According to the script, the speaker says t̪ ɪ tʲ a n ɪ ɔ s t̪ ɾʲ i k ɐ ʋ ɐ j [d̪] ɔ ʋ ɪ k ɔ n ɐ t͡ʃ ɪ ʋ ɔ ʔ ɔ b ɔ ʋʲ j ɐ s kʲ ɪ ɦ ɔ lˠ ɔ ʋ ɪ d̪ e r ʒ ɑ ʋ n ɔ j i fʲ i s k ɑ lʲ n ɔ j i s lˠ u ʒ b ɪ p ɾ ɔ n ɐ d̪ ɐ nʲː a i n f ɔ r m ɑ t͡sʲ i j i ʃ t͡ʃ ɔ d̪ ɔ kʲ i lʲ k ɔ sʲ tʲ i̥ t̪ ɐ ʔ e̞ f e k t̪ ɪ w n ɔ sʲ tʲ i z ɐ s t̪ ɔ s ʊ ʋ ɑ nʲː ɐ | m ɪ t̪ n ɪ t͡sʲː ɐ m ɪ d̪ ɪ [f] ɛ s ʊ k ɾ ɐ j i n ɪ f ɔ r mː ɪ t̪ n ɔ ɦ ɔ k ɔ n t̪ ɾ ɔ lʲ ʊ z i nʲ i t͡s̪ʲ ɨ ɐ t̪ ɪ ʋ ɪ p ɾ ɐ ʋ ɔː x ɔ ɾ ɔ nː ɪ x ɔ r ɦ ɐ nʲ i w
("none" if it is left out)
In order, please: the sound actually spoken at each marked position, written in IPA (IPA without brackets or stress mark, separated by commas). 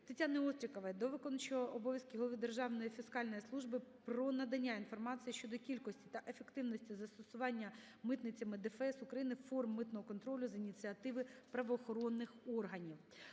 d̪, f